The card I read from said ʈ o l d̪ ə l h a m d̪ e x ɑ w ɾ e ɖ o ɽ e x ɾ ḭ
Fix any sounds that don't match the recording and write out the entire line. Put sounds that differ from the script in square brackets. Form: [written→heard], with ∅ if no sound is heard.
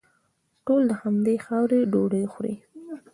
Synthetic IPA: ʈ o l d̪ ə [l→∅] h a m d̪ e x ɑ w ɾ e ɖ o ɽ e x ɾ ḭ